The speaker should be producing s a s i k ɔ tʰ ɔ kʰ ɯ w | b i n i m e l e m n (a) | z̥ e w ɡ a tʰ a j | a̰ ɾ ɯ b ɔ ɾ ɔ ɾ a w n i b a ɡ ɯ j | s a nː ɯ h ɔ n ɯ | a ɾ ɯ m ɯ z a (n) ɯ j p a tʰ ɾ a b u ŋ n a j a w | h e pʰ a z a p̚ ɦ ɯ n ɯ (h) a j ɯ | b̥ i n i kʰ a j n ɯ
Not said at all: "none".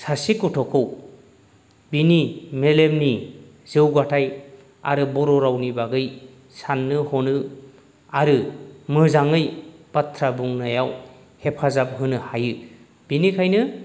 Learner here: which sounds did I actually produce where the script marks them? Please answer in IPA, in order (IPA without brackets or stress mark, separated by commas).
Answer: i, ŋ, h